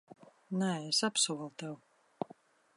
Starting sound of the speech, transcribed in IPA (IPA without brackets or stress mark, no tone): n